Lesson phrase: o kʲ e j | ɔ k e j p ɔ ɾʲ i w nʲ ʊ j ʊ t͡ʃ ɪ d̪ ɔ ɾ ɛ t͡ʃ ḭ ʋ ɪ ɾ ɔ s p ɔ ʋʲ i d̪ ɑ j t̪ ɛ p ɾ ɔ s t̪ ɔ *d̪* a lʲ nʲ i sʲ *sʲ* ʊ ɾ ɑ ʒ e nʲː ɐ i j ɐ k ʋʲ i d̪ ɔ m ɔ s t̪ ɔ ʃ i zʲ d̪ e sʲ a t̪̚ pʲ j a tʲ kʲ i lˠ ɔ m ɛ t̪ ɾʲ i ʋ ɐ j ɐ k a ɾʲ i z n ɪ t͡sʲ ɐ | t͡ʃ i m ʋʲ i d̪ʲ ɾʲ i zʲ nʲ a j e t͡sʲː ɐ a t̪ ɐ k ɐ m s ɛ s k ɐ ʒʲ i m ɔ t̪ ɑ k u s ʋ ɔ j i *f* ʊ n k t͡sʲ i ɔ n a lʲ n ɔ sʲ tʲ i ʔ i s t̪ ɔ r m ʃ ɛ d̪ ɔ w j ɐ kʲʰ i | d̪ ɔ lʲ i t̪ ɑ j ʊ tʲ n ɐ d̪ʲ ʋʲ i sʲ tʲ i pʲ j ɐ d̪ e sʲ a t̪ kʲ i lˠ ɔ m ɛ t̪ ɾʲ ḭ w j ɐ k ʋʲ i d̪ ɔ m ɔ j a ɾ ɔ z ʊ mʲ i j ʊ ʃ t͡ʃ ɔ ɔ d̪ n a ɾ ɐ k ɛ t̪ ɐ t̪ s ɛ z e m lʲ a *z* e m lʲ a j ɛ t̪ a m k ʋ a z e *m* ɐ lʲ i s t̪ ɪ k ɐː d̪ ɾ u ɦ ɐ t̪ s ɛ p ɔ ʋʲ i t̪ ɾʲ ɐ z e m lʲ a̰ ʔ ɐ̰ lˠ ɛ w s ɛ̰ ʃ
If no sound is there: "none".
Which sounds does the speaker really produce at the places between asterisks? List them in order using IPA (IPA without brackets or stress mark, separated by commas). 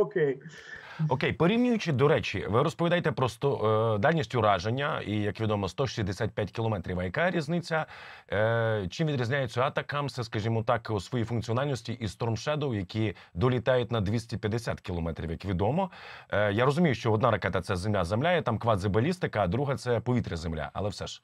d̪, tʲ, f, z, b